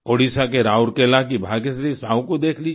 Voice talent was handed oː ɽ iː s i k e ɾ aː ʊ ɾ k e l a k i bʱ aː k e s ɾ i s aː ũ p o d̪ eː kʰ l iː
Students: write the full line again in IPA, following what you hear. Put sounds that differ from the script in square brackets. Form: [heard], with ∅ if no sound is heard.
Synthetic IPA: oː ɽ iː s [a] k e ɾ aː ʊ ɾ k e l a k i bʱ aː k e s ɾ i s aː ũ [k] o d̪ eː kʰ l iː